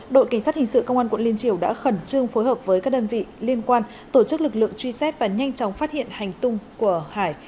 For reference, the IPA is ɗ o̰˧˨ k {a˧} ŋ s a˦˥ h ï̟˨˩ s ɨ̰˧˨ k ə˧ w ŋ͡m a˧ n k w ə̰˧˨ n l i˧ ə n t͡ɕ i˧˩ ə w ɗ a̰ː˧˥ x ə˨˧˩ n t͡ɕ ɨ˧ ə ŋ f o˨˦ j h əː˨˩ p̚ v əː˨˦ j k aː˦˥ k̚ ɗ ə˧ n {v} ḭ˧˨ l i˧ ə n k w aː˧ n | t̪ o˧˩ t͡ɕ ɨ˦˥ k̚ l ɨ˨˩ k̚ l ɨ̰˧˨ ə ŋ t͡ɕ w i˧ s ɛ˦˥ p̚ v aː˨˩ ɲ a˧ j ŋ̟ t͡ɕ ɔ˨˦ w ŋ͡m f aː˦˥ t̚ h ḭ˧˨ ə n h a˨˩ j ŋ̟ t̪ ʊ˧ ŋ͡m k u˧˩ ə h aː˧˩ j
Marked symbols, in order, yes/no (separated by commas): no, yes